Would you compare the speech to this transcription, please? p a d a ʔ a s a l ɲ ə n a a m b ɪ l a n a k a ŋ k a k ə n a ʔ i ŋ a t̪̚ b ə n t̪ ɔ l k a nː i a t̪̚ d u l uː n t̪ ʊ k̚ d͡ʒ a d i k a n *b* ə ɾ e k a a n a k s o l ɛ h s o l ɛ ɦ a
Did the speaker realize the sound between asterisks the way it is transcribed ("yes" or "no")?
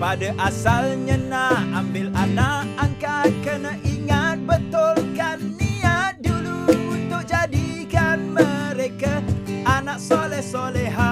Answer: no